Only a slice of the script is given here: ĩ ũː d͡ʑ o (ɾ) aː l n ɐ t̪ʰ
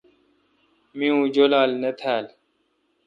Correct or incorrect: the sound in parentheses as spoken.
incorrect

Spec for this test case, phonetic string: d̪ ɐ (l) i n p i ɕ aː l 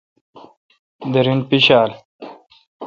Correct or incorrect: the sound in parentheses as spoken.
incorrect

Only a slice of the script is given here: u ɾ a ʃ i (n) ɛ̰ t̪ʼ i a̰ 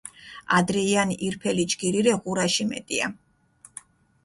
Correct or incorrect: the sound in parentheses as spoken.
incorrect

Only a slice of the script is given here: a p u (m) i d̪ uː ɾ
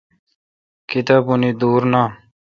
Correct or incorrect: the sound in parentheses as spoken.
incorrect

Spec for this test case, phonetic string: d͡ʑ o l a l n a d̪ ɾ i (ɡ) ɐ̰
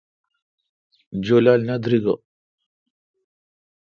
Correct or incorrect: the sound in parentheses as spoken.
correct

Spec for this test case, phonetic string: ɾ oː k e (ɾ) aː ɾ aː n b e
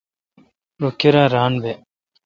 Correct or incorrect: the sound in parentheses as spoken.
correct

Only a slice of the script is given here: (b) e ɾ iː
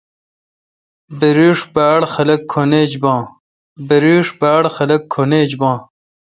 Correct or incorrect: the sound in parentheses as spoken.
correct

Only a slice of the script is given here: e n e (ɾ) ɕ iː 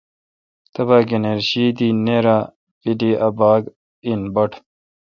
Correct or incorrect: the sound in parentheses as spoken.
correct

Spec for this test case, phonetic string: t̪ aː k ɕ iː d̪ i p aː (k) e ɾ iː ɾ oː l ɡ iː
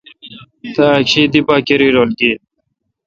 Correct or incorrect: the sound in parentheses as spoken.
correct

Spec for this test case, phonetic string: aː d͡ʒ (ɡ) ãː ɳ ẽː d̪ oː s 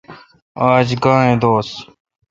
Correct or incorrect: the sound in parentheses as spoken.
correct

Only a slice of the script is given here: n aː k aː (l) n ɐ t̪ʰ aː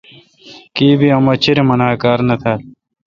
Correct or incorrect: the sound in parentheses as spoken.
incorrect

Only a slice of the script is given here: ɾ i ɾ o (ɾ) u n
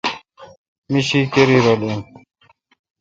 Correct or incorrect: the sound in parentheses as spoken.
incorrect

